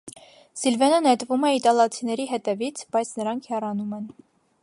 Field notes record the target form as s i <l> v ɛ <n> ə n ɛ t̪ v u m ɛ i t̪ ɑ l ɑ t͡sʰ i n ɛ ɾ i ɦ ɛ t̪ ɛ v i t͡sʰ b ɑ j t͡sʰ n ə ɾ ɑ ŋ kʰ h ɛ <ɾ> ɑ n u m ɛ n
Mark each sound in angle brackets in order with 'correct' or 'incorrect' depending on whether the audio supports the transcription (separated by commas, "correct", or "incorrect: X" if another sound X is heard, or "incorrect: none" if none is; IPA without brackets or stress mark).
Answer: correct, correct, incorrect: r